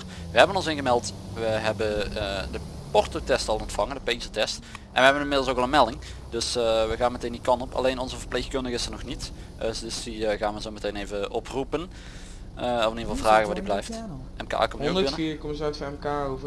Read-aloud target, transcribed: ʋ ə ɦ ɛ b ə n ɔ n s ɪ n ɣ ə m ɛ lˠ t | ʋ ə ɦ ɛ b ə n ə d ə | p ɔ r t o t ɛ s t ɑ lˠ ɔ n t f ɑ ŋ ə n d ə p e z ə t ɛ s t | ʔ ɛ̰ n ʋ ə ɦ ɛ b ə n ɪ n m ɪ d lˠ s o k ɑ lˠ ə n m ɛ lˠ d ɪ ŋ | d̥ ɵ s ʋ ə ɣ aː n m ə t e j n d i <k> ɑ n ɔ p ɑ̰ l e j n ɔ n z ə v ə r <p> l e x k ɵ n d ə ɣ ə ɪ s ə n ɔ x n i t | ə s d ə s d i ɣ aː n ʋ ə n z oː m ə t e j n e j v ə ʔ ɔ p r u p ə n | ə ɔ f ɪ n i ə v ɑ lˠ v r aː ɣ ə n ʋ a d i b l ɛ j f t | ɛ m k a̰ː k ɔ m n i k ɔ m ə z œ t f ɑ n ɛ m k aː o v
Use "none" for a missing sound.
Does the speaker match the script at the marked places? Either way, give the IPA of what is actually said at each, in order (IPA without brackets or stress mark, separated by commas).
k, p